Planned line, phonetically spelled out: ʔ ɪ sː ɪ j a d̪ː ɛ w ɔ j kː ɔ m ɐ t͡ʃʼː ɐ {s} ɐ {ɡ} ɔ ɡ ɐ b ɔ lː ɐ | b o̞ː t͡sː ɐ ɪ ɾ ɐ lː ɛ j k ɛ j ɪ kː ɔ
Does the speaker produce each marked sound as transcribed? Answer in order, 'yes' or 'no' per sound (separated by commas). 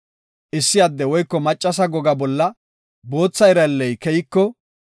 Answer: yes, yes